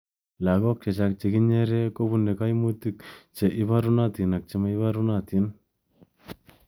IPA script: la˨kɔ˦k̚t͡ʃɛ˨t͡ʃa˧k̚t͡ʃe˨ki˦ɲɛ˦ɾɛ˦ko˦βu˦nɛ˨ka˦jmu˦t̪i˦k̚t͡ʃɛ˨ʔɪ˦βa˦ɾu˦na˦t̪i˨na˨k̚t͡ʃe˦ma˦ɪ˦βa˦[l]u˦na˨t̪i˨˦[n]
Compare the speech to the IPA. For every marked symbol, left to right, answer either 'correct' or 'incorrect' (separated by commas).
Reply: incorrect, correct